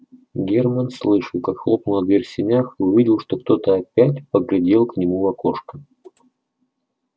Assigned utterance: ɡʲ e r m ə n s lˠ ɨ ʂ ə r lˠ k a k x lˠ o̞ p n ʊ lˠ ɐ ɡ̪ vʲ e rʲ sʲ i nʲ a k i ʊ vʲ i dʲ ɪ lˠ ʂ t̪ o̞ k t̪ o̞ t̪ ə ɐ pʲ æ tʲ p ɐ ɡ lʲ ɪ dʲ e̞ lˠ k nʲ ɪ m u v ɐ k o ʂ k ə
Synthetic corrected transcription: ɡʲ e r m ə n s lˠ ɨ ʂ ə lˠ k a k x lˠ o̞ p n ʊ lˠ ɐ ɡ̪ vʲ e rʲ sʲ ɪ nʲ a x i ʊ vʲ i dʲ ɪ lˠ ʂ t̪ o̞ k t̪ o̞ t̪ ə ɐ pʲ æ tʲ p ə ɡ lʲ ɪ dʲ e̞ lˠ k nʲ ɪ m u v ɐ k o ʂ k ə